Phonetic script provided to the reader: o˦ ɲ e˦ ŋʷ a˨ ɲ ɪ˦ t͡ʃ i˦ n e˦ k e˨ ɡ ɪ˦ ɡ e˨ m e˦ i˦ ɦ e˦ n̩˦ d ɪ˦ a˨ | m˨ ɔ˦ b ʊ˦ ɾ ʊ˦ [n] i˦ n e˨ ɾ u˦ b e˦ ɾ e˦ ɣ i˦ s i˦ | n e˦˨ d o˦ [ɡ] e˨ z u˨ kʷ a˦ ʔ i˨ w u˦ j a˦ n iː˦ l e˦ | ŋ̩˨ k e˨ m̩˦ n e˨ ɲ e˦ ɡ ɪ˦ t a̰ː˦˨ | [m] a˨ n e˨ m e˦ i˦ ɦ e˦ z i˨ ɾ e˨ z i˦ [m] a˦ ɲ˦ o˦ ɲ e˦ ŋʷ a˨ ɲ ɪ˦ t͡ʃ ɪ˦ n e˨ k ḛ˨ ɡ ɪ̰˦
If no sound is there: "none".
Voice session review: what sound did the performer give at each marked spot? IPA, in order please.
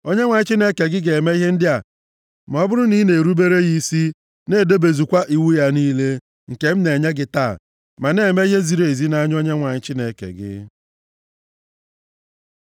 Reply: n, b, m, n

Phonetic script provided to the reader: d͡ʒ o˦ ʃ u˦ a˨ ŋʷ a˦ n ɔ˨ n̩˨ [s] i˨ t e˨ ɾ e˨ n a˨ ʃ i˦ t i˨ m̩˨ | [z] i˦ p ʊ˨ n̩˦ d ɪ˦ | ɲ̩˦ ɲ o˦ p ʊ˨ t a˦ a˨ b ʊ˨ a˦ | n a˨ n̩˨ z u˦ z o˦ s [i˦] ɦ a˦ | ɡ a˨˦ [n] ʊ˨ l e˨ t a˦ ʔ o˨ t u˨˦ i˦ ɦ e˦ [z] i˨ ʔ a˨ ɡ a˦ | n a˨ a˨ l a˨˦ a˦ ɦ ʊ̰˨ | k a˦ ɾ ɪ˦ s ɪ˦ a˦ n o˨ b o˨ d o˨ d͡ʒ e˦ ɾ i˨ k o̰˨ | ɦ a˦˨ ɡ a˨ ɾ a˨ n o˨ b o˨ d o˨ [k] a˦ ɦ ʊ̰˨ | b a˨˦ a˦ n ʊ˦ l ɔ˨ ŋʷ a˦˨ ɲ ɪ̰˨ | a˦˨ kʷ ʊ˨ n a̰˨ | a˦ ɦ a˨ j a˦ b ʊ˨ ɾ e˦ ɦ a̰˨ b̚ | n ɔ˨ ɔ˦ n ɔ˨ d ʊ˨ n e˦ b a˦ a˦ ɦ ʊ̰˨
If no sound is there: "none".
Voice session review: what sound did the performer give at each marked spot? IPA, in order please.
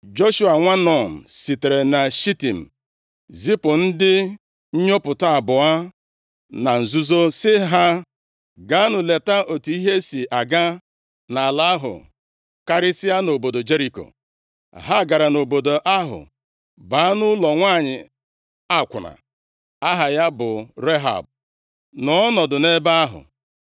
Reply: s, z, ɪ˦, n, s, ʔ

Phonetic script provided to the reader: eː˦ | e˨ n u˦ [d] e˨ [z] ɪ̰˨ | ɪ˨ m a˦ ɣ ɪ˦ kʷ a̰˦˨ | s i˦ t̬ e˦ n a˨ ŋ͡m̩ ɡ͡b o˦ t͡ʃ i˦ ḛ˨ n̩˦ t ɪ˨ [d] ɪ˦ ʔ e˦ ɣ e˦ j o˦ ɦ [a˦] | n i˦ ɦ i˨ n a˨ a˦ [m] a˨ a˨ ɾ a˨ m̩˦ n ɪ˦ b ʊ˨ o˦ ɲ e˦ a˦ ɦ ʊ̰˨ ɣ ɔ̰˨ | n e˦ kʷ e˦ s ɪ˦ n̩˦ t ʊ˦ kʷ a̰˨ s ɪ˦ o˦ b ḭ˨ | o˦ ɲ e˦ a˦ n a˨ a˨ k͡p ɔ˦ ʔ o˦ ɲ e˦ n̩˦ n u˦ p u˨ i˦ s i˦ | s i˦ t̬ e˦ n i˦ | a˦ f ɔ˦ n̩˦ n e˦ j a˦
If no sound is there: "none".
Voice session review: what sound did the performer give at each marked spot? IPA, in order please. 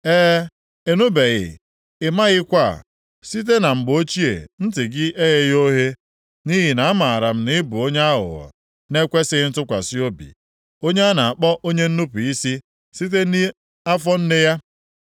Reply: b, ɣ, ɡ, e˦, m

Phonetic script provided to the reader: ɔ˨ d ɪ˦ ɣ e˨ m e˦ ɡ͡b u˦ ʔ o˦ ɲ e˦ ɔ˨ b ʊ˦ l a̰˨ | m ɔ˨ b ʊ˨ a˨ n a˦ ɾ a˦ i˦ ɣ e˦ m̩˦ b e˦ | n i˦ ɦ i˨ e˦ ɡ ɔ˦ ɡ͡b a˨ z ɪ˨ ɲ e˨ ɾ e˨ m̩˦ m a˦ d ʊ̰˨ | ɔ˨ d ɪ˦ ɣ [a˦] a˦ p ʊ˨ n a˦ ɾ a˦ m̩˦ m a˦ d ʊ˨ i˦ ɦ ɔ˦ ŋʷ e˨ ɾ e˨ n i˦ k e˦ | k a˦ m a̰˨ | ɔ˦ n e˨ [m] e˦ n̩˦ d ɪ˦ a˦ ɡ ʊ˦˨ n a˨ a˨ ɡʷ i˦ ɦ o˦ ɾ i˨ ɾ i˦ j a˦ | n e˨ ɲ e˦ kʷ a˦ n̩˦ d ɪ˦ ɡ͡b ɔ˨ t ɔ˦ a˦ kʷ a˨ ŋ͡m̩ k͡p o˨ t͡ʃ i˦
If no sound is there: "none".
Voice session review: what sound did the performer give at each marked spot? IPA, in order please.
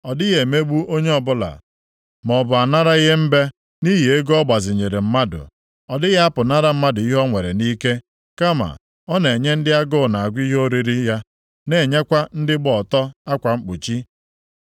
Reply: a˦, ɲ

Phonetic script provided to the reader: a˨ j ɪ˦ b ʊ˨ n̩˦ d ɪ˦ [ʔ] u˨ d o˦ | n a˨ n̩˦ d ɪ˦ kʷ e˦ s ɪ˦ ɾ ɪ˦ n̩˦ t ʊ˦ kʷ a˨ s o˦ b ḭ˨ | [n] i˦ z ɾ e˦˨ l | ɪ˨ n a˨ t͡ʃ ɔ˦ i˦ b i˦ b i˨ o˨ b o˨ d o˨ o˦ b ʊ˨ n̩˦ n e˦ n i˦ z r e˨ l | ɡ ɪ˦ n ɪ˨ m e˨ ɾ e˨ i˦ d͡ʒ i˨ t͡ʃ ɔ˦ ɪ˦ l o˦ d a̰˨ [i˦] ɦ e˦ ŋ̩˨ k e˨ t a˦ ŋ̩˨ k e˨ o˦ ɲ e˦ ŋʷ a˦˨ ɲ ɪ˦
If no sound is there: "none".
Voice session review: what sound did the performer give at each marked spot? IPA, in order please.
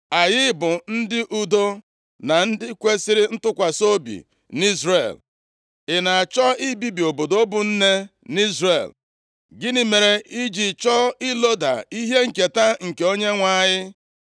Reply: ʔ, n, i˦

